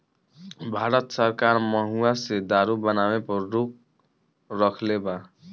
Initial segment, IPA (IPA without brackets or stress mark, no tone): bʱ